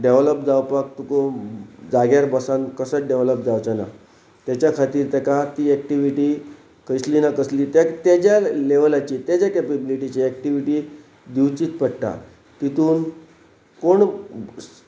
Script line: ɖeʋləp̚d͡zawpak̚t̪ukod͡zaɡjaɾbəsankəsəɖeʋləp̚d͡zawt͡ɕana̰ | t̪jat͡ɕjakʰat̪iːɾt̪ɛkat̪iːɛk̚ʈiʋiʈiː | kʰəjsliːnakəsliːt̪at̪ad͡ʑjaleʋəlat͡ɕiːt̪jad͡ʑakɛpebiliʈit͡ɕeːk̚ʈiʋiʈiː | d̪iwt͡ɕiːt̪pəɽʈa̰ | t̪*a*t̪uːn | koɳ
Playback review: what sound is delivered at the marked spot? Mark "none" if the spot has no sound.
i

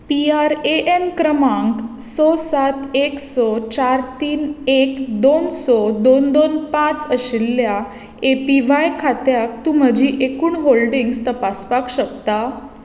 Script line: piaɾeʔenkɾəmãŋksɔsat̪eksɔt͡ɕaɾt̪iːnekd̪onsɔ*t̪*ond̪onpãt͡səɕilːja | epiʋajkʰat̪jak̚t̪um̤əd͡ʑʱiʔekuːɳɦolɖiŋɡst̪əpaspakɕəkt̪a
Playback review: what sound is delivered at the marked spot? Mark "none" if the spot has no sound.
d̪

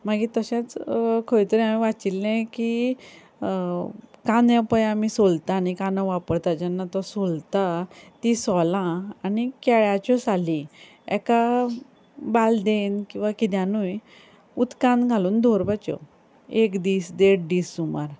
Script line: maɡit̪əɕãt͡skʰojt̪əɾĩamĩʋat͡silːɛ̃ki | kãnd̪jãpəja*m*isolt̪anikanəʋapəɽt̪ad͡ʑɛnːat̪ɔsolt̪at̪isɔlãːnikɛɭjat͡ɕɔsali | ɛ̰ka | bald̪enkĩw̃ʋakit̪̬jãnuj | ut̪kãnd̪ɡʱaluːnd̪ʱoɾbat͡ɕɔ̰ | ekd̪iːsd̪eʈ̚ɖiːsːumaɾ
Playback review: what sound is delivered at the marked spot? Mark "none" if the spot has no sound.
m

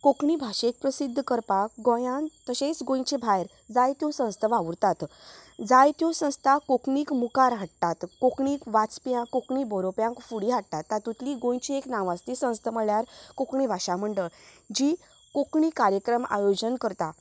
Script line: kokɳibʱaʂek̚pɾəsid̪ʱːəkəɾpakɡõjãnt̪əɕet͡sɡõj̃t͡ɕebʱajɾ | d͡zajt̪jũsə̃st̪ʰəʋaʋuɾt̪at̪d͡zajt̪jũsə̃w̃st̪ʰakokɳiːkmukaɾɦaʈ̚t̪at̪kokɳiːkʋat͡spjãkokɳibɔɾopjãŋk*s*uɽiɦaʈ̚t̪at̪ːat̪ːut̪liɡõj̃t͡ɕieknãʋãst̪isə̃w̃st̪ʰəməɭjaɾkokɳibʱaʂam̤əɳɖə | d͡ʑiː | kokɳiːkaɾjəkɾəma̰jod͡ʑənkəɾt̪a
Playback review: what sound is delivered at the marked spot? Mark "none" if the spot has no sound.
f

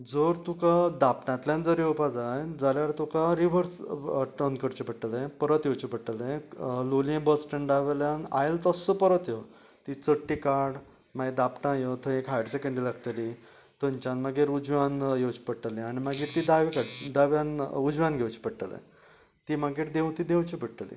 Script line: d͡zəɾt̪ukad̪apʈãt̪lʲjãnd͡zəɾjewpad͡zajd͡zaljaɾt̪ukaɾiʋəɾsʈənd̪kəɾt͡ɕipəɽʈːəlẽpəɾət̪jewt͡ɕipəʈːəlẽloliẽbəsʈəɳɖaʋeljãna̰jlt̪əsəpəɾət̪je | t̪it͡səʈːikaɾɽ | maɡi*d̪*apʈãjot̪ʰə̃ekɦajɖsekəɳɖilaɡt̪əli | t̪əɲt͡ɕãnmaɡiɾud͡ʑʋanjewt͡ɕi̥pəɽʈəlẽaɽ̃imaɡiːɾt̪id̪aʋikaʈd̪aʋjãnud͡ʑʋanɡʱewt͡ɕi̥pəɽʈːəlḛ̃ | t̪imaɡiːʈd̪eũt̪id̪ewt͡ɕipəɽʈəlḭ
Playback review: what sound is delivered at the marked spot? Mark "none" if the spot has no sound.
d̪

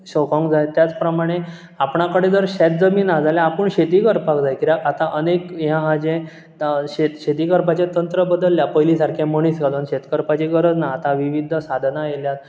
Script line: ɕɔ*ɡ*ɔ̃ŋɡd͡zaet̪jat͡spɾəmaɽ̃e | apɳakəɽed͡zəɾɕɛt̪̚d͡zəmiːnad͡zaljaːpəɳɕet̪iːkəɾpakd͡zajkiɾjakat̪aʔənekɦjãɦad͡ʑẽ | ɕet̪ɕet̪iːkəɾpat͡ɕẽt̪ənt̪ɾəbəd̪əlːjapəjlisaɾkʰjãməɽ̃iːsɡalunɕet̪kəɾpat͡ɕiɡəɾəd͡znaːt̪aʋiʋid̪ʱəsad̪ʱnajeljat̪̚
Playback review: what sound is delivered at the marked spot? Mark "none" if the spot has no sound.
k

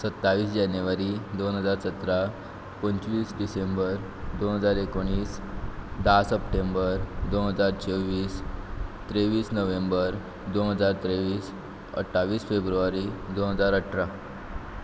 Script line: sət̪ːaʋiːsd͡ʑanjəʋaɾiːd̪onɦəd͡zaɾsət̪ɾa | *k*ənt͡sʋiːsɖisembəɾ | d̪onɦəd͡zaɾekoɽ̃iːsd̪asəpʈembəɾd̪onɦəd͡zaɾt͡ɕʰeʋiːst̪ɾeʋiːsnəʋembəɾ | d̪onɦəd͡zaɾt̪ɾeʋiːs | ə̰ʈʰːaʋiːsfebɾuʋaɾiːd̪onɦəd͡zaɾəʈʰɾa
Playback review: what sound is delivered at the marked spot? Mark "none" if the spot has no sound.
p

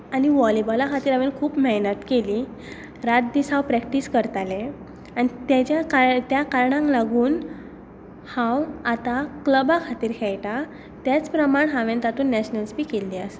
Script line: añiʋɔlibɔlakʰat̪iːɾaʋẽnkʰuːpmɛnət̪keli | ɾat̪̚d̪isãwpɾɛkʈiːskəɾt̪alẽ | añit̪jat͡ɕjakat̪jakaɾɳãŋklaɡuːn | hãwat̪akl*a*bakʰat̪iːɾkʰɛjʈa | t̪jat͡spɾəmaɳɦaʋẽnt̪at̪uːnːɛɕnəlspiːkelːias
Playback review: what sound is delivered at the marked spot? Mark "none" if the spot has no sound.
ə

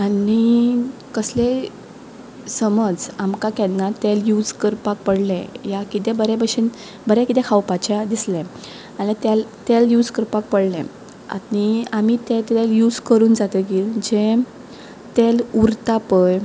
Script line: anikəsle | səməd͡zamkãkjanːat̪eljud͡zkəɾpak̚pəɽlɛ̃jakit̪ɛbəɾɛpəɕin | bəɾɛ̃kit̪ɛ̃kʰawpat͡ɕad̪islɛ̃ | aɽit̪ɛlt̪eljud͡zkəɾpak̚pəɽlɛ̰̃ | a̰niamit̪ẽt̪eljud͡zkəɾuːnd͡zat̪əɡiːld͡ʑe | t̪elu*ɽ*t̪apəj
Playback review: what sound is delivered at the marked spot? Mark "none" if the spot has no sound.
ɾ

